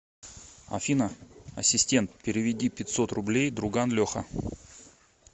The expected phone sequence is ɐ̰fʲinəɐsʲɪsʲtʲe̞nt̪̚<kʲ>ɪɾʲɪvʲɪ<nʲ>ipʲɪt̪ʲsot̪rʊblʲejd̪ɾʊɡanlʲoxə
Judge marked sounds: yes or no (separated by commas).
no, no